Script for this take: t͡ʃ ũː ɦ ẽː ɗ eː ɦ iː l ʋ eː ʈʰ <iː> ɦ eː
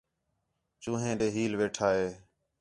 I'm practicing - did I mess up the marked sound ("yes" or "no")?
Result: yes